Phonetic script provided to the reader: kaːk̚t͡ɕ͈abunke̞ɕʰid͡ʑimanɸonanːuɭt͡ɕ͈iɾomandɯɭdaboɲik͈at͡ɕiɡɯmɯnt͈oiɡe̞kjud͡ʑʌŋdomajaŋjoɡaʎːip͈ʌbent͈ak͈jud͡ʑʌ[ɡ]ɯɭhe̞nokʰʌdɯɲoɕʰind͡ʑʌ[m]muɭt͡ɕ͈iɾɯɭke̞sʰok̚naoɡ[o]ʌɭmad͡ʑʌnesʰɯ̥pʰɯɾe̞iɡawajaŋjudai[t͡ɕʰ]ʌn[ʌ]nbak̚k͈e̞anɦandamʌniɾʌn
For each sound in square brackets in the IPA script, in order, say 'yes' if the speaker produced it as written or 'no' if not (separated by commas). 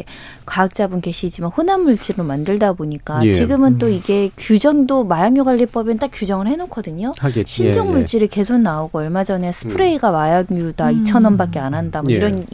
no, no, yes, yes, yes